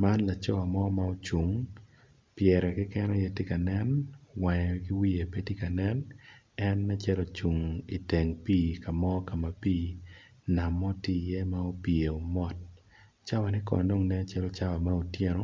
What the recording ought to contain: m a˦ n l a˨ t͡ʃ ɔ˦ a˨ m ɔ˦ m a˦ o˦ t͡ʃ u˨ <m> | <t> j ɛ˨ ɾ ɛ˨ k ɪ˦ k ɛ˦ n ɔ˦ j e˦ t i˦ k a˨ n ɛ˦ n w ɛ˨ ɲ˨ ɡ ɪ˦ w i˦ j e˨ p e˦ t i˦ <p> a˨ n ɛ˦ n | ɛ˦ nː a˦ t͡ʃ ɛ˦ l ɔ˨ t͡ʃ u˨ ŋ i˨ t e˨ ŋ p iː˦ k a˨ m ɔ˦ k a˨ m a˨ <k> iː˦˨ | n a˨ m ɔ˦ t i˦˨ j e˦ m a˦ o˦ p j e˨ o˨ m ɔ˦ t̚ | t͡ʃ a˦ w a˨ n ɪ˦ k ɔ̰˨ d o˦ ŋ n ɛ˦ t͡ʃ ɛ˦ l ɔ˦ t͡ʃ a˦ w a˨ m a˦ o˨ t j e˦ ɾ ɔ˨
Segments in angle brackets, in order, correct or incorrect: incorrect: ŋ, incorrect: p, incorrect: k, incorrect: p

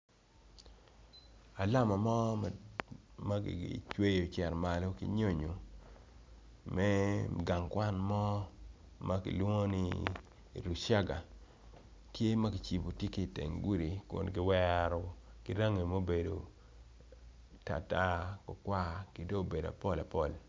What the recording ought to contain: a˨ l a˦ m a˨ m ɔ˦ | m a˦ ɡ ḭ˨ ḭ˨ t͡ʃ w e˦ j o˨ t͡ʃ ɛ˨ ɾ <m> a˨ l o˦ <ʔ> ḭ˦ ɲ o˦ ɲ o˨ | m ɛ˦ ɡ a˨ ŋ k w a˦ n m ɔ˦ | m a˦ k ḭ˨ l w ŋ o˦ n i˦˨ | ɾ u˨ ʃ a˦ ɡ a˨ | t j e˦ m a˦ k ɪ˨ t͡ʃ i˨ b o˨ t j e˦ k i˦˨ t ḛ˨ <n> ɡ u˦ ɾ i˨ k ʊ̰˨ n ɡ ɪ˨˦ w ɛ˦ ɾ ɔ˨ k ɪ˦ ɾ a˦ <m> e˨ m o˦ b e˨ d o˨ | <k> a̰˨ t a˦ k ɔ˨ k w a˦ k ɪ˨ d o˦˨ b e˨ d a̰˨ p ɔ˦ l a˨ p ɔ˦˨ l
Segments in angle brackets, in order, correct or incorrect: correct, incorrect: k, incorrect: ŋ, incorrect: ŋ, incorrect: t

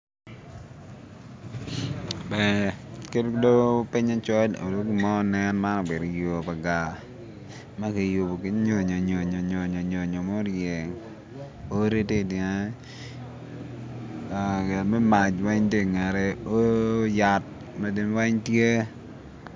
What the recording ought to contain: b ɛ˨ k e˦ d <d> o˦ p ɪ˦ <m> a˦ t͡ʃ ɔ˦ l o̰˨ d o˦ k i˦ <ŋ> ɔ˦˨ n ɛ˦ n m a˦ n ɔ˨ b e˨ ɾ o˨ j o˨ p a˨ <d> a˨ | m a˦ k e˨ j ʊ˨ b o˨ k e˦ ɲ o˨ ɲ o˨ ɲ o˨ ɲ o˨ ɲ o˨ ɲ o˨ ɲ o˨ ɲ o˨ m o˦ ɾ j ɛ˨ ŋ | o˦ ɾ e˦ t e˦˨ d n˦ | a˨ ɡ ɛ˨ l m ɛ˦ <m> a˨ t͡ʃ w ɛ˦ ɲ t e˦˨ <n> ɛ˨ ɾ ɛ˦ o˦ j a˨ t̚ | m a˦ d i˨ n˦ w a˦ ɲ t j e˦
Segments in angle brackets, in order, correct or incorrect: correct, incorrect: ɲ, incorrect: m, incorrect: ɡ, correct, incorrect: ŋ

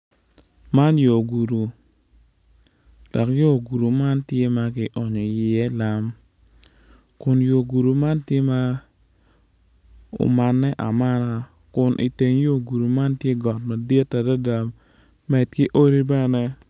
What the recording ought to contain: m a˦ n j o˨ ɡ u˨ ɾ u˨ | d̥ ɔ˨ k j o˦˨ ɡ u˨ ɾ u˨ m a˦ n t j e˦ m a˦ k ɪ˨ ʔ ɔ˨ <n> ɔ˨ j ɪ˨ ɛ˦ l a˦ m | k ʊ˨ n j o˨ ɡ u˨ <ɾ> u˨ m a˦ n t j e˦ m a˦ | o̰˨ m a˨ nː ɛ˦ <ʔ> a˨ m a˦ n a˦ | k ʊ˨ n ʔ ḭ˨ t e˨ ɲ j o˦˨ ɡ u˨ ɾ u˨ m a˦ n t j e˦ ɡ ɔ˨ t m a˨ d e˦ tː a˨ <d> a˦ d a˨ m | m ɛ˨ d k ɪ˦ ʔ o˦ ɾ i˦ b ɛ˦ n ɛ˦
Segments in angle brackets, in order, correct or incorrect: incorrect: ɲ, correct, correct, correct

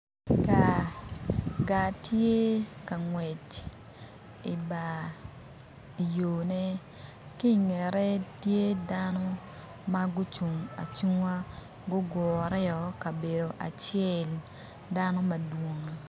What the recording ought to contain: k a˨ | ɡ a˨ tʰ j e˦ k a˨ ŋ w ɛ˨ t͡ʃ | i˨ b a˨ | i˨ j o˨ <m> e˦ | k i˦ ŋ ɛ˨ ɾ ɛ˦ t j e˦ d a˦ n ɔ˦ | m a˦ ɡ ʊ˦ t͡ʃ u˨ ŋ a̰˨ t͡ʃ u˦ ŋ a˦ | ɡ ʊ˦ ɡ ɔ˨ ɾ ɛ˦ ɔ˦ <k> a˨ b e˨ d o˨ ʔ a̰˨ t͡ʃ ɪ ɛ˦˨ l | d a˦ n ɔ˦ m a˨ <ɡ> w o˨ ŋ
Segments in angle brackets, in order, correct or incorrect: incorrect: n, correct, incorrect: d

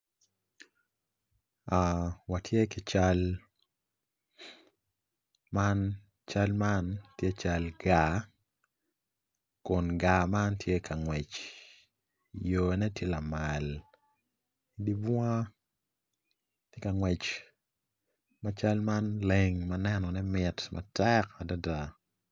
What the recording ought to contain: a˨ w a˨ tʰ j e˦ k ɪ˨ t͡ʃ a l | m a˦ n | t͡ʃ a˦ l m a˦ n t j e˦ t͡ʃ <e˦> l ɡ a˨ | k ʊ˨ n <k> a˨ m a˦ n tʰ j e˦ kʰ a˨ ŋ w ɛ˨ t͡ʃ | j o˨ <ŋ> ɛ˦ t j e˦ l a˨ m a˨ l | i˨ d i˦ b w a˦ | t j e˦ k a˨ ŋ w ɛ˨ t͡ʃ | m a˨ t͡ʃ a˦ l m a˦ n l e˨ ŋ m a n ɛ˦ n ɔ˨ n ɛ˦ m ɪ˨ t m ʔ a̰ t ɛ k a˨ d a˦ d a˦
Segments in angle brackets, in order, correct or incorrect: incorrect: a˦, incorrect: ɡ, incorrect: n

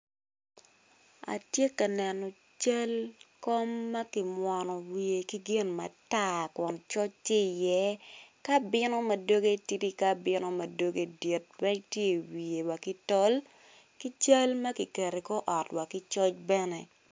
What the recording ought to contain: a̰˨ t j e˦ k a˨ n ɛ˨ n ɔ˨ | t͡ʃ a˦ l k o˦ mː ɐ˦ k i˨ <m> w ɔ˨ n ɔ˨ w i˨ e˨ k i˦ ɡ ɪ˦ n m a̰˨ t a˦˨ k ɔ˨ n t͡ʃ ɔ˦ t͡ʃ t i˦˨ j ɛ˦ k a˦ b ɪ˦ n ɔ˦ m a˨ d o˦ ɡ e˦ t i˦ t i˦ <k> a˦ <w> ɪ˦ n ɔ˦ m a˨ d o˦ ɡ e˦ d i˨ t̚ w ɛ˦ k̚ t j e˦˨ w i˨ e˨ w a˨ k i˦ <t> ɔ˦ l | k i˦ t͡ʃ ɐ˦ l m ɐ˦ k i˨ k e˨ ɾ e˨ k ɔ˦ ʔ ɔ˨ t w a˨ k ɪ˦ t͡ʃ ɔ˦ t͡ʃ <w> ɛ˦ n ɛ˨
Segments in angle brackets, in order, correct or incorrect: correct, correct, incorrect: b, correct, incorrect: b

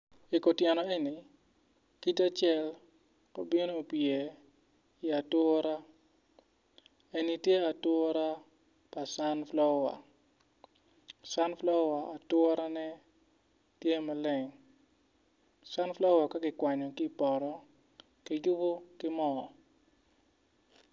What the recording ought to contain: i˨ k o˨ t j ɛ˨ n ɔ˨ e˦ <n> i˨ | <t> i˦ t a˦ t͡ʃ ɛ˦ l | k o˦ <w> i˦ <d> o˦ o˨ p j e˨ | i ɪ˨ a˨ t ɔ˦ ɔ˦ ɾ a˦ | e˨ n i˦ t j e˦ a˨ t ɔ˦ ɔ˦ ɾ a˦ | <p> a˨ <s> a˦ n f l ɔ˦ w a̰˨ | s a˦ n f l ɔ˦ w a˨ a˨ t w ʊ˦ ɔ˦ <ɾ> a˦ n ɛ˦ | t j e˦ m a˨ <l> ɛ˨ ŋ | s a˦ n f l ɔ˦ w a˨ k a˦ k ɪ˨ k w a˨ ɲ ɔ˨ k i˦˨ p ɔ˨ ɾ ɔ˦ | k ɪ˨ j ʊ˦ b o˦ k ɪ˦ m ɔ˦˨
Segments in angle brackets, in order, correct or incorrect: correct, incorrect: k, incorrect: b, incorrect: n, correct, correct, correct, correct

